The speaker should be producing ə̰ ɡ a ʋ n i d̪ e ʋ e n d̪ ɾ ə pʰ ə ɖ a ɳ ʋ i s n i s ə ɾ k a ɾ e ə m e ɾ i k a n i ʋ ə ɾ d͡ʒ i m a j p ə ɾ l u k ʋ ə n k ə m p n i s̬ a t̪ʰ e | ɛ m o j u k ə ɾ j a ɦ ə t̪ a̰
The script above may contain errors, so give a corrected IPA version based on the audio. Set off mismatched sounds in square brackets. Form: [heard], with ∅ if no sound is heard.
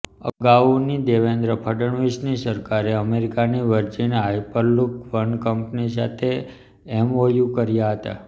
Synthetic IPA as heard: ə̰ ɡ a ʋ n i d̪ e ʋ e n d̪ ɾ ə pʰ ə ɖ [ə] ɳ ʋ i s n i s ə ɾ k a ɾ e ə m e ɾ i k a n i ʋ ə ɾ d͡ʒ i [n] a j p ə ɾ l u k ʋ ə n k ə m p n i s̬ a t̪ʰ e | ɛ m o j u k ə ɾ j a ɦ ə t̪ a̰

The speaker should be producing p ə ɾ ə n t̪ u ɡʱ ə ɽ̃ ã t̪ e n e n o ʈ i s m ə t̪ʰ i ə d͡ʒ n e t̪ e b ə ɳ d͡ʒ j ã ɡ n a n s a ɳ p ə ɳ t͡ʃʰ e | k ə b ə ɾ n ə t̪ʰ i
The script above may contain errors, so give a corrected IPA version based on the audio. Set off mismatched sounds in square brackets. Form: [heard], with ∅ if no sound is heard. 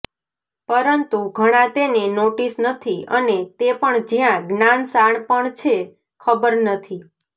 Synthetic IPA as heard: p ə ɾ ə n t̪ u ɡʱ ə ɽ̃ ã t̪ e n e n o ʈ i s [n] ə t̪ʰ i ə [∅] n e t̪ e [p] ə ɳ d͡ʒ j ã ɡ n a n s a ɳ p ə ɳ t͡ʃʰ e | [kʰ] ə b ə ɾ n ə t̪ʰ i

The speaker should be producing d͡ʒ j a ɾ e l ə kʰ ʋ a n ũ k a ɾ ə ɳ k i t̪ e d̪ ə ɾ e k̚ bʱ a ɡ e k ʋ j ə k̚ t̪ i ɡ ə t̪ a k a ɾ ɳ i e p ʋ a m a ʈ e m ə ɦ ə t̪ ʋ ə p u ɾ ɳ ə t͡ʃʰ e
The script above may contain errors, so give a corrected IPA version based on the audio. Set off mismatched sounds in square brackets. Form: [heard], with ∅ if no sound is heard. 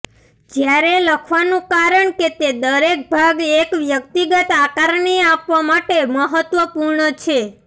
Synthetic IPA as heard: d͡ʒ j a ɾ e l ə kʰ ʋ a n ũ k a ɾ ə ɳ k [e] t̪ e d̪ ə ɾ e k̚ bʱ a ɡ e k ʋ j ə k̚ t̪ i ɡ ə t̪ a k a ɾ ɳ i [a] p ʋ a m a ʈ e m ə ɦ ə t̪ ʋ ə p u ɾ ɳ ə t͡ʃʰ e

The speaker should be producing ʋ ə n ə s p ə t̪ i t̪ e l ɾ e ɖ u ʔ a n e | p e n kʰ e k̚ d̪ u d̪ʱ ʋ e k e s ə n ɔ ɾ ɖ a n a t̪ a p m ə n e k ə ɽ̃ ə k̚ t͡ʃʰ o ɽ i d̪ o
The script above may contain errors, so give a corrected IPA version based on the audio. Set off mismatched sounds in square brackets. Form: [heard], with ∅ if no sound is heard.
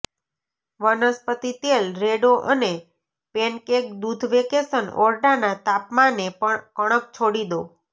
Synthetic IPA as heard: ʋ ə n ə s p ə t̪ i t̪ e l ɾ e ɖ [o] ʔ [ə] n e | p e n [k] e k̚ d̪ u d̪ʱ ʋ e k e s ə n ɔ ɾ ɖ a n a t̪ a p m [a] n e k ə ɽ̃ ə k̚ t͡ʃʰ o ɽ i d̪ o

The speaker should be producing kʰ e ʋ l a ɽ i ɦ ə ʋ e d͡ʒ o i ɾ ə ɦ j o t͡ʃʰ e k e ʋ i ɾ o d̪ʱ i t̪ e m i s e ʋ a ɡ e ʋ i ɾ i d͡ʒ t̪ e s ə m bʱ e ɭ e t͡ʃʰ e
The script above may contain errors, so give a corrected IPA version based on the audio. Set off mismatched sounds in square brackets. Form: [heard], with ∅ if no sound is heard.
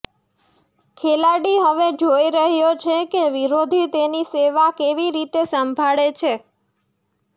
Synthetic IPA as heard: kʰ e [∅] l a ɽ i ɦ ə ʋ e d͡ʒ o i ɾ ə ɦ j o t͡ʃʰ e k e ʋ i ɾ o d̪ʱ i t̪ e [n] i s e ʋ a [k] e ʋ i ɾ i [∅] t̪ e s ə m bʱ [a] ɭ e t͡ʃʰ e

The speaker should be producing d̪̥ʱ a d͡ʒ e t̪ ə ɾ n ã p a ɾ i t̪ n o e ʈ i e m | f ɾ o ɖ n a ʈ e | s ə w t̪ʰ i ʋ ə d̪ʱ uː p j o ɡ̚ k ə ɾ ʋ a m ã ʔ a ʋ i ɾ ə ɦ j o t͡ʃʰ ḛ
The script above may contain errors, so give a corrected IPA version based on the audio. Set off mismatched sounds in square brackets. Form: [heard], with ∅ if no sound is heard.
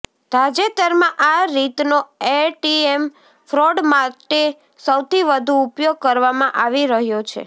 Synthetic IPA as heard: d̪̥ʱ a d͡ʒ e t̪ ə ɾ [m] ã [ʔ] a ɾ i t̪ n o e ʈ i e m | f ɾ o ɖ [m] a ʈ e | s ə w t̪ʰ i ʋ ə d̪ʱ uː p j o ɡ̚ k ə ɾ ʋ a m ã ʔ a ʋ i ɾ ə ɦ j o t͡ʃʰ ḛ

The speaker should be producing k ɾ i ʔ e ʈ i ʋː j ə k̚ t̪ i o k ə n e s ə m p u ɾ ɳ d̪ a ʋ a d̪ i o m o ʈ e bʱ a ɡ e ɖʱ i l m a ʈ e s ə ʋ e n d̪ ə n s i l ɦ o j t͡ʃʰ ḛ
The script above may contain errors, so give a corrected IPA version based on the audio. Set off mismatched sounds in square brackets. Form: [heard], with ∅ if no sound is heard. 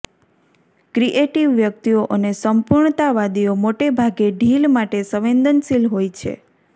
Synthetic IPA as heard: k ɾ i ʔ e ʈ i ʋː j ə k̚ t̪ i o [ʔ] ə n e s ə m p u ɾ ɳ [t̪] a ʋ a d̪ i o m o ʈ e bʱ a ɡ e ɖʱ i l m a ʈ e s ə ʋ e n d̪ ə n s i l ɦ o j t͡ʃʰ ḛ

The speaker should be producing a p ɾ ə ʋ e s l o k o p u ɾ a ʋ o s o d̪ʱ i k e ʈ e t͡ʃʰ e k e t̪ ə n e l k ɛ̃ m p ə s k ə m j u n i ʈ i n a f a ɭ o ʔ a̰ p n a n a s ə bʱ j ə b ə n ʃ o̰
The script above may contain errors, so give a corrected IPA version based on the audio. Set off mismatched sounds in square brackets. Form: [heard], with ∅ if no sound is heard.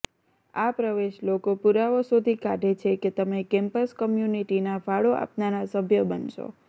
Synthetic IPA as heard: a p ɾ ə ʋ e [ʃ] l o k o p u ɾ a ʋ o s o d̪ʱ i k [a] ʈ e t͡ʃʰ e k e t̪ ə [m] e [∅] k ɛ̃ m p ə s k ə m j u n i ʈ i n a f a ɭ o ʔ a̰ p n a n a s ə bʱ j ə b ə n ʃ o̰

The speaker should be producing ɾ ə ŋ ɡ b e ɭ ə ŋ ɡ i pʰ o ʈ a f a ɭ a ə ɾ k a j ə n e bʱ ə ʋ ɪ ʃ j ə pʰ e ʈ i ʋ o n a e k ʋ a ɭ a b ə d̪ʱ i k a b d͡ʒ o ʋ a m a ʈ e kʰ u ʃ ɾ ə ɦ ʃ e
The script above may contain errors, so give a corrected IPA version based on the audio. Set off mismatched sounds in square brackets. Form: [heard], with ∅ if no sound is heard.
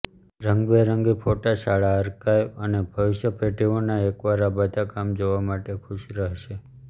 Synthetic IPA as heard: ɾ ə ŋ ɡ b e [ɾ] ə ŋ ɡ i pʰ o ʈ a [ʃ] a ɭ a ə ɾ k a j ə n e bʱ ə ʋ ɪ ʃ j ə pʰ e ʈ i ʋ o n a e k ʋ a [ɾ] a b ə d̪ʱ [a] k a [m] d͡ʒ o ʋ a m a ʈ e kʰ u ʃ ɾ ə ɦ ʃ e

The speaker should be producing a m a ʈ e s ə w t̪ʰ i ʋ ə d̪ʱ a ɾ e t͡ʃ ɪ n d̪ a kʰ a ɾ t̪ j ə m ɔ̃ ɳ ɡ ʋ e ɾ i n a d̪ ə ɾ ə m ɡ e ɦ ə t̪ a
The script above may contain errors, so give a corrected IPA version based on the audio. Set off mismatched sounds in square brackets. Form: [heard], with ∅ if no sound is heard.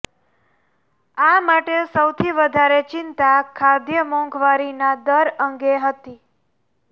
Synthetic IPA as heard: a m a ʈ e s ə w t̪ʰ i ʋ ə d̪ʱ a ɾ e t͡ʃ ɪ n [t̪] a kʰ a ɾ [d̪] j ə m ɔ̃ [ŋ] ɡ ʋ [a] ɾ i n a d̪ ə ɾ ə [ŋ] ɡ e ɦ ə t̪ [i]

